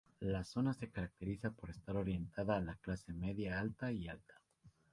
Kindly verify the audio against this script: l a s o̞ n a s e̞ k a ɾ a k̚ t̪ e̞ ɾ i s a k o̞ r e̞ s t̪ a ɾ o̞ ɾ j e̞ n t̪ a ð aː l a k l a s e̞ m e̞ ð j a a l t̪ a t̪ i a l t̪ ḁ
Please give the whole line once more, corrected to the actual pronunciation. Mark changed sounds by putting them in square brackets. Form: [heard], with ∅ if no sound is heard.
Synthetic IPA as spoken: l a s o̞ n a s e̞ k a ɾ a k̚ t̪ e̞ ɾ i s a [p] o̞ [ɾ] e̞ s t̪ a ɾ o̞ ɾ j e̞ n t̪ a ð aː l a k l a s e̞ m e̞ ð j a a l t̪ a [∅] i a l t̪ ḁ

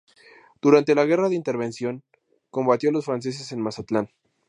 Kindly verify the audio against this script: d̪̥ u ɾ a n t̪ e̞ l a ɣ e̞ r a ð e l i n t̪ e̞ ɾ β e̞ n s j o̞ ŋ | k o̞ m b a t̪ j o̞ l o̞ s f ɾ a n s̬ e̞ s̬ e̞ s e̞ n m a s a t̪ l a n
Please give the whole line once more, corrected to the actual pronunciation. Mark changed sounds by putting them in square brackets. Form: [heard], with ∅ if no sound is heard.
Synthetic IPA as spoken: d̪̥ u ɾ a n t̪ e̞ l a ɣ e̞ r a ð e [∅] i n t̪ e̞ ɾ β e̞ n s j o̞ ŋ | k o̞ m b a t̪ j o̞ l o̞ s f ɾ a n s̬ e̞ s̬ e̞ s e̞ n m a s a t̪ l a n

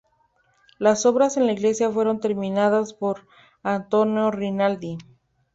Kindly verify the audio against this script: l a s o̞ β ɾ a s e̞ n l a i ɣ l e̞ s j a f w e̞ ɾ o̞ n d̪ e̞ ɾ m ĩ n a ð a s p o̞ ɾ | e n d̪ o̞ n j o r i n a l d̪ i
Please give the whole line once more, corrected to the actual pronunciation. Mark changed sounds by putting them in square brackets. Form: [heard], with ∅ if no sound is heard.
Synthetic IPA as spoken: l a s o̞ β ɾ a s e̞ n l a i ɣ l e̞ s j a f w e̞ ɾ o̞ n [t̪] e̞ ɾ m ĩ n a ð a s p o̞ ɾ | [a] n [t̪] o̞ n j o r i n a l d̪ i

